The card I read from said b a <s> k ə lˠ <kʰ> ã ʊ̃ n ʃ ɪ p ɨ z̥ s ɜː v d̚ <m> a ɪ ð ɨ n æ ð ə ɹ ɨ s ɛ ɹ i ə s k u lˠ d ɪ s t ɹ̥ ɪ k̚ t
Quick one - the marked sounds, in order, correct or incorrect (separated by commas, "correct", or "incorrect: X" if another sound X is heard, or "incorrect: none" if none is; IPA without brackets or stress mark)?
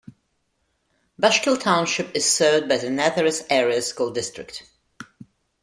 incorrect: ʃ, incorrect: tʰ, incorrect: b